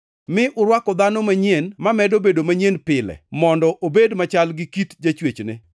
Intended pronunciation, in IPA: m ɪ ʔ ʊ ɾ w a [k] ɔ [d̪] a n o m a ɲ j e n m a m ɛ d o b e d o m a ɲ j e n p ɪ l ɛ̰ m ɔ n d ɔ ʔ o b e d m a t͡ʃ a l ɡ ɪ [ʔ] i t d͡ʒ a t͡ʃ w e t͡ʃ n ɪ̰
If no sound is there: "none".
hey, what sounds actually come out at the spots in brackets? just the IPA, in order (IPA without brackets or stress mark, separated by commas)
k, d̪, k